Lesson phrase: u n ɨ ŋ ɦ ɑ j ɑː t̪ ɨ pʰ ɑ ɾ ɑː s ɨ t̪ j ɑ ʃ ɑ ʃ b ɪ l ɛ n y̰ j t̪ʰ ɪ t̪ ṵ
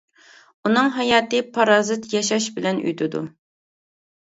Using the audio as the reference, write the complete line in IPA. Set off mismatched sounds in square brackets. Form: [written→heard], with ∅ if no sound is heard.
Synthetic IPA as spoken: u n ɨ ŋ ɦ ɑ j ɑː t̪ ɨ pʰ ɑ ɾ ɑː [s→z] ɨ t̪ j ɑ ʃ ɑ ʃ b ɪ l ɛ n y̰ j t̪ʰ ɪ [t̪→d̪] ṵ

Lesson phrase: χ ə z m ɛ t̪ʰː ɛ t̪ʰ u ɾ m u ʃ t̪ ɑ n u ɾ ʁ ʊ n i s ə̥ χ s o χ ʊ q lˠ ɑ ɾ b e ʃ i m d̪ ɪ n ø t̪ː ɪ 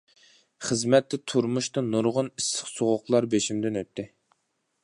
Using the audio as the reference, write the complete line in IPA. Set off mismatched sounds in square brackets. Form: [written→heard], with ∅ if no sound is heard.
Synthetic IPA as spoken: χ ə z m ɛ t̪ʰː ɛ t̪ʰ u ɾ m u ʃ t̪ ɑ n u ɾ ʁ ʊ n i s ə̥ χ s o [χ→ʁ] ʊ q lˠ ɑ ɾ b e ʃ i m d̪ ɪ n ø t̪ː ɪ

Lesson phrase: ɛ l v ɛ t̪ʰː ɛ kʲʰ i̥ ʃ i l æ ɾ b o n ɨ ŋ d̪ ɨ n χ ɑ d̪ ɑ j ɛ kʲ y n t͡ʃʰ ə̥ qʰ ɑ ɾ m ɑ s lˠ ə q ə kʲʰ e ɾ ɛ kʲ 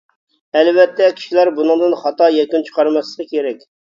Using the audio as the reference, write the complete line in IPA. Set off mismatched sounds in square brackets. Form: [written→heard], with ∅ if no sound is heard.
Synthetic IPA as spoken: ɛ l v ɛ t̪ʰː ɛ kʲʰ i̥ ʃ i l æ ɾ b [o→u] n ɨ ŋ d̪ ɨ n χ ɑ [d̪→t̪] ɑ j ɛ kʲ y n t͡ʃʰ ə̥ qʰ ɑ ɾ m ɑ s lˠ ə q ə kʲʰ e ɾ ɛ kʲ

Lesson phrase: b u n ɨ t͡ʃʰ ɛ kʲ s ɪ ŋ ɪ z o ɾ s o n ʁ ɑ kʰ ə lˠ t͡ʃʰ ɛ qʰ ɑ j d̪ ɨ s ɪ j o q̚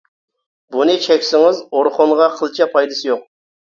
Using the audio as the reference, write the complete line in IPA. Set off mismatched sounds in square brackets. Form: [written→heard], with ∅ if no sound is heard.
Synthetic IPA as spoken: b u n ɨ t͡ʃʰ ɛ kʲ s ɪ ŋ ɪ z o ɾ [s→χ] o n ʁ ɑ [kʰ→qʰ] ə lˠ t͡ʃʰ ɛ [qʰ→pʰ] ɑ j d̪ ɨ s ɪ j o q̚

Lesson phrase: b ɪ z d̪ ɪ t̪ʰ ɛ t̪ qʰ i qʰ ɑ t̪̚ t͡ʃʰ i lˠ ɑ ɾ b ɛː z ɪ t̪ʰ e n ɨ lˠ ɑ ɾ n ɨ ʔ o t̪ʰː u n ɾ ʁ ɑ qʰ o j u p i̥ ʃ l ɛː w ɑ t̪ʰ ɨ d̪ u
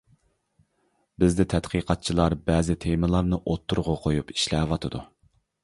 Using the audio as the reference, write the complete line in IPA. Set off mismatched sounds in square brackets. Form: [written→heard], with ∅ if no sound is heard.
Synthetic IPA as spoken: b ɪ z d̪ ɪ t̪ʰ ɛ t̪ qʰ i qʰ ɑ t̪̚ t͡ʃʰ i lˠ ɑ ɾ b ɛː z ɪ t̪ʰ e [n→m] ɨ lˠ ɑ ɾ n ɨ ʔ o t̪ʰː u [n→∅] ɾ ʁ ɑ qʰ o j u p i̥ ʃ l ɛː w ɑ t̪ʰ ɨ d̪ u

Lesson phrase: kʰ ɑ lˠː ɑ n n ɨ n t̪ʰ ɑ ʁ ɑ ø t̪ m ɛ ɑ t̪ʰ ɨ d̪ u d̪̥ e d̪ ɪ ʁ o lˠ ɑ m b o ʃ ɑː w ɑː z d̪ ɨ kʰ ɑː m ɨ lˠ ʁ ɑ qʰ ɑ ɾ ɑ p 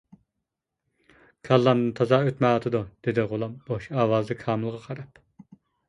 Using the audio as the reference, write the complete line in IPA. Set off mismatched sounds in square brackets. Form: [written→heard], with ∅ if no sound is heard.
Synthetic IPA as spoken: kʰ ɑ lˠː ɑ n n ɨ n t̪ʰ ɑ [ʁ→z] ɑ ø t̪ m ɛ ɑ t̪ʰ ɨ d̪ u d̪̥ e d̪ ɪ ʁ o lˠ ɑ m b o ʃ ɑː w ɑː z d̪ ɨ kʰ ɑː m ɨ lˠ ʁ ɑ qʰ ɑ ɾ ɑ p

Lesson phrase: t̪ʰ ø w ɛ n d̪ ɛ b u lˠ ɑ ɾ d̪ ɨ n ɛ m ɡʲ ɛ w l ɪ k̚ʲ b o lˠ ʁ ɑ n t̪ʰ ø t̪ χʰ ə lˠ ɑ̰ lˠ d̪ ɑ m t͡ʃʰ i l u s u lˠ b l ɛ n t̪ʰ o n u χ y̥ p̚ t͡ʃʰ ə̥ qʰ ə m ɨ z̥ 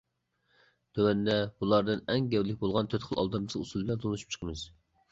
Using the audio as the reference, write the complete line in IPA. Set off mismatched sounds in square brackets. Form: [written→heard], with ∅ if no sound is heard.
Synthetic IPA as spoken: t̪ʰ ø w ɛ n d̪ ɛ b u lˠ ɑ ɾ d̪ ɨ n ɛ [m→ŋ] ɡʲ ɛ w l ɪ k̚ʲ b o lˠ ʁ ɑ n t̪ʰ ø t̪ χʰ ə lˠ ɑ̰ lˠ d̪ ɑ m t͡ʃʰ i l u s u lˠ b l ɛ n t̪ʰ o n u [χ→ʃ] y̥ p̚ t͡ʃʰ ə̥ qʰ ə m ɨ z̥

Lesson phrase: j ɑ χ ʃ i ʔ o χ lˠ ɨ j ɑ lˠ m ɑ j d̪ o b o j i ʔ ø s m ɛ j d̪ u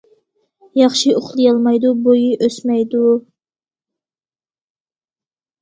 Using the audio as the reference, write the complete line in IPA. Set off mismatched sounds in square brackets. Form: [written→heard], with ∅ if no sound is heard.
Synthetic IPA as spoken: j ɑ χ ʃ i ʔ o χ lˠ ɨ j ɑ lˠ m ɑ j d̪ [o→u] b o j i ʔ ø s m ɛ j d̪ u

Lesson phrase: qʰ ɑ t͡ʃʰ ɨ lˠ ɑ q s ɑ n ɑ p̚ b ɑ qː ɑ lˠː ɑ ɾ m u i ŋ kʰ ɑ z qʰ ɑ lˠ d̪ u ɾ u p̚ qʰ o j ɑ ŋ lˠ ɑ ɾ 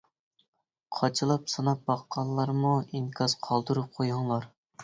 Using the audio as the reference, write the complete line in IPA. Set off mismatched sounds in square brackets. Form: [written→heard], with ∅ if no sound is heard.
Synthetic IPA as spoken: qʰ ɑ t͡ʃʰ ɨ lˠ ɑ [q→p] s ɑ n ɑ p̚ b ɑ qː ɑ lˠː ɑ ɾ m u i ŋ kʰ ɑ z qʰ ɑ lˠ d̪ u ɾ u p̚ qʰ o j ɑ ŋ lˠ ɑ ɾ

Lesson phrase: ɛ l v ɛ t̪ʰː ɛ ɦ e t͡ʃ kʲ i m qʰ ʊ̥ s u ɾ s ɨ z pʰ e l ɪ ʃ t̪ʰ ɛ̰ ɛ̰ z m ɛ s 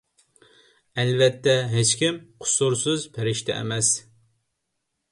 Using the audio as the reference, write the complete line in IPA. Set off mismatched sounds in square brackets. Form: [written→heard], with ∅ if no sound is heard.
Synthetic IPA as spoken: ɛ l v ɛ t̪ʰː ɛ ɦ e t͡ʃ kʲ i m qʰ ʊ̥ s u ɾ s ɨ z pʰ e [l→ɾ] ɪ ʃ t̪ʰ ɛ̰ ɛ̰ [z→∅] m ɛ s

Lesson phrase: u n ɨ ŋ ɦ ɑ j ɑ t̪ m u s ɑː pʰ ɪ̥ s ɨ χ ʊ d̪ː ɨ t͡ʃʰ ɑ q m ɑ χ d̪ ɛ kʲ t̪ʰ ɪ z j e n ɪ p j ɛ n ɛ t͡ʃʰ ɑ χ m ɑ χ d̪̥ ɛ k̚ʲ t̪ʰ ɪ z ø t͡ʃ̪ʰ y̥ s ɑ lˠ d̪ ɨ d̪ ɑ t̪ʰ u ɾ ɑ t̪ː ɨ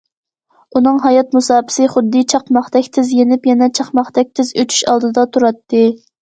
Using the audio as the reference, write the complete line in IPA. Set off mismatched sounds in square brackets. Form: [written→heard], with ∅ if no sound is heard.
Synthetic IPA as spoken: u n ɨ ŋ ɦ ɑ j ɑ t̪ m u s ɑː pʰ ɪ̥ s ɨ χ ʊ d̪ː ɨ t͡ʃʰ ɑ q m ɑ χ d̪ ɛ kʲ t̪ʰ ɪ z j e n ɪ p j ɛ n ɛ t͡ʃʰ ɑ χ m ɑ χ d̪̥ ɛ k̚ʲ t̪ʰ ɪ z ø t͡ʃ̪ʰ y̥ [s→ʃ] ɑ lˠ d̪ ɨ d̪ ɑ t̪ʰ u ɾ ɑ t̪ː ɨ

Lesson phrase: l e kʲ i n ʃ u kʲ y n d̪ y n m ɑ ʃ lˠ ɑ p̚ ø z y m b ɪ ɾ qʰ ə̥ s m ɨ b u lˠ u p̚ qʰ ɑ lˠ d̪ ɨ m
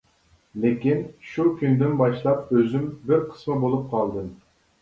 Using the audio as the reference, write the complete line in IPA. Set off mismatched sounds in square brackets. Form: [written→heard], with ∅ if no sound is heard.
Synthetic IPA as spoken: l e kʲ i n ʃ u kʲ y n d̪ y n [m→b] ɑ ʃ lˠ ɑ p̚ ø z y m b ɪ ɾ qʰ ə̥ s m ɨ b [u→o] lˠ u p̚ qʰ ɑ lˠ d̪ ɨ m

